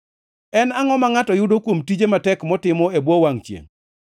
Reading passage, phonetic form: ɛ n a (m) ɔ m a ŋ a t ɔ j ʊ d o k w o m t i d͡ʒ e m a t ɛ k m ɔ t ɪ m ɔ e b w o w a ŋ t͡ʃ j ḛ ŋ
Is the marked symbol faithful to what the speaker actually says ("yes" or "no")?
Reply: no